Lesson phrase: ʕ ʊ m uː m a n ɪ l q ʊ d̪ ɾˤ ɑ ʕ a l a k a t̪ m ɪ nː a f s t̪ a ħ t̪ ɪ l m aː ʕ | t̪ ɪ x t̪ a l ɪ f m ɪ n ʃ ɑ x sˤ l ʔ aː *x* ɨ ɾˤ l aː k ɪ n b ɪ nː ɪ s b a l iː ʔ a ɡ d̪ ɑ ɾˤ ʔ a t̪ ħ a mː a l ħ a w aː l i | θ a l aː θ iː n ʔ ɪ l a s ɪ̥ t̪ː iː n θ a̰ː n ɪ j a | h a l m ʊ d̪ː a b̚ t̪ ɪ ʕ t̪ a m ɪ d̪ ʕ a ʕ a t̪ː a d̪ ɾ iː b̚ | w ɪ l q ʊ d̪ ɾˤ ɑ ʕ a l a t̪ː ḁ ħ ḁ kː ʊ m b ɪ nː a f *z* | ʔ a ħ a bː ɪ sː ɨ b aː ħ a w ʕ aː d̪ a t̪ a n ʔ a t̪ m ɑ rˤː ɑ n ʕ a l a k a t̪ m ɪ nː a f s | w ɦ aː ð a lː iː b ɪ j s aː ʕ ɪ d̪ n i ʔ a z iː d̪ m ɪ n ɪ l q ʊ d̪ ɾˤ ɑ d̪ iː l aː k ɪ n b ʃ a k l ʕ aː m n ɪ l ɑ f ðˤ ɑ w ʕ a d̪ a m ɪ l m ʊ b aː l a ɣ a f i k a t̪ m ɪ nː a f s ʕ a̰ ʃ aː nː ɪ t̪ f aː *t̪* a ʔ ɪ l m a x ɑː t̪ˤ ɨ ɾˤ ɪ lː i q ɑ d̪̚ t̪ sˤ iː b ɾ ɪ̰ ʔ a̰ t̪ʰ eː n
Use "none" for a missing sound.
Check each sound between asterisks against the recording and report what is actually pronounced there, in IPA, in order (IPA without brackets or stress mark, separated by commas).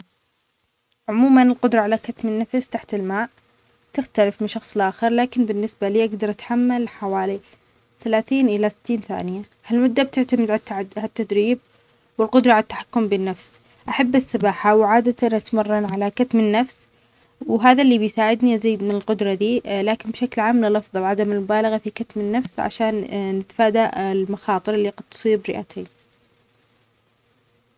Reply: x, s, d̪